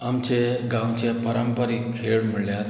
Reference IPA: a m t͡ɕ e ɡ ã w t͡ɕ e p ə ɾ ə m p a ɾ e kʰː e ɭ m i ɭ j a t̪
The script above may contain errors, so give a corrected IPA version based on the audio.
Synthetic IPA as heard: a m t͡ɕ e ɡ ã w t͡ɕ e p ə ɾ ə m p ə ɾ i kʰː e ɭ m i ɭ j a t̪